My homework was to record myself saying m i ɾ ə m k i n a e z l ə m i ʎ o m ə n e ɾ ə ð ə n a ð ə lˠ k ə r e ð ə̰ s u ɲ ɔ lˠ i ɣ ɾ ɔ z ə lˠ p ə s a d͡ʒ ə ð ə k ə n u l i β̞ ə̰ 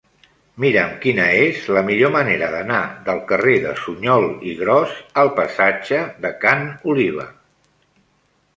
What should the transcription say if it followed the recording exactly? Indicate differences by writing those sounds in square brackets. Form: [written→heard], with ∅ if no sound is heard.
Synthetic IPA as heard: m i ɾ ə m k i n [a→ə] e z l ə m i ʎ o m ə n e ɾ ə ð ə n a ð ə lˠ k ə r e ð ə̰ s u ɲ ɔ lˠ i ɣ ɾ ɔ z ə lˠ p ə s a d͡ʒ ə ð ə k [ə→a] n u l i β̞ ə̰